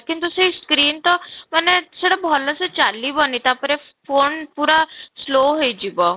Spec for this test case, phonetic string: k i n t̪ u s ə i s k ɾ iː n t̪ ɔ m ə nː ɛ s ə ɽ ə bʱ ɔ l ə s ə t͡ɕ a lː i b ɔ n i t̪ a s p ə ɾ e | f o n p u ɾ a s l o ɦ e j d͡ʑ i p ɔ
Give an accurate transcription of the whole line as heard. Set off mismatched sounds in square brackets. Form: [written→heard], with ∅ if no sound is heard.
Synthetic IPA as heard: k i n t̪ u s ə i s k ɾ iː n t̪ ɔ m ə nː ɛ s ə ɽ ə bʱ ɔ l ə s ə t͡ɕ a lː i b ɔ n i t̪ a [s→∅] p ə ɾ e | f o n p u ɾ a s l o ɦ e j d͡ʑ i [p→b] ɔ